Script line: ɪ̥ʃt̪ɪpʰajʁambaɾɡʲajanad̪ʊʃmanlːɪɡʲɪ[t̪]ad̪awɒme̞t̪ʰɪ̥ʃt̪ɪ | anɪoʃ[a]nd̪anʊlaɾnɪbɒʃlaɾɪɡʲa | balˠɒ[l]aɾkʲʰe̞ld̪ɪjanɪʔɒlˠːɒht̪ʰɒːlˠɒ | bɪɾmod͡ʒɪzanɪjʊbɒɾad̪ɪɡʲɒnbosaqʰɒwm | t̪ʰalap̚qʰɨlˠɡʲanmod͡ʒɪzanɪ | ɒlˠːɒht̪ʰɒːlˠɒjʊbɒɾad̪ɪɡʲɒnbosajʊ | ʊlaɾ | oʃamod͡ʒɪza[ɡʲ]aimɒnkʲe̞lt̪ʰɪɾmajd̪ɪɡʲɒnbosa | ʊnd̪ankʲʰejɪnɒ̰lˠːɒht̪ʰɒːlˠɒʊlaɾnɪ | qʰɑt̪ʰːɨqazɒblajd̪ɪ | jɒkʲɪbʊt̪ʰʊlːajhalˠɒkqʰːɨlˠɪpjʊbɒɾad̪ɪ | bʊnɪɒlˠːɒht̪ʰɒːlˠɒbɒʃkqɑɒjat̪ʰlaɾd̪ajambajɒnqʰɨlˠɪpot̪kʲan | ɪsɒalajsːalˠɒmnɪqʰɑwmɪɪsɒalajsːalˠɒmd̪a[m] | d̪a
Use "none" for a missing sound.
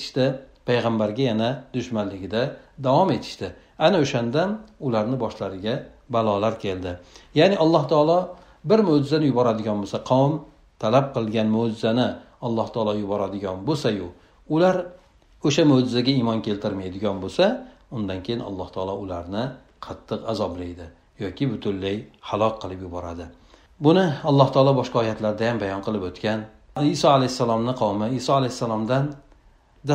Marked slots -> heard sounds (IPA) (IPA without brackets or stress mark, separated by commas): d̪, a, l, ɡʲ, n